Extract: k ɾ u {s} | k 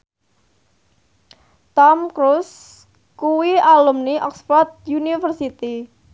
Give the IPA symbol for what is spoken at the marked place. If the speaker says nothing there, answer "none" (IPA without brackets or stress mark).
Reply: s